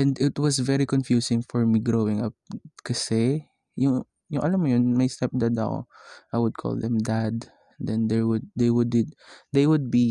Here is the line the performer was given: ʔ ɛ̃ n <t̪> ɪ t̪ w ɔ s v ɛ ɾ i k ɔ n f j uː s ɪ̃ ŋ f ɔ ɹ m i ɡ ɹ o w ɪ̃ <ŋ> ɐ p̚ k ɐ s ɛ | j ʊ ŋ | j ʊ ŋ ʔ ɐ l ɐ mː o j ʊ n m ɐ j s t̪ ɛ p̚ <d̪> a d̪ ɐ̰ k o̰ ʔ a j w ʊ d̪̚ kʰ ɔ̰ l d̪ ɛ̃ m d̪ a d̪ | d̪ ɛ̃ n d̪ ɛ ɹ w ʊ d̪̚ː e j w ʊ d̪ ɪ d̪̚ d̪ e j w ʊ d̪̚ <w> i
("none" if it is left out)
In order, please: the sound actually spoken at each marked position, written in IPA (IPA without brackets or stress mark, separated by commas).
d̪, ŋ, d̪, b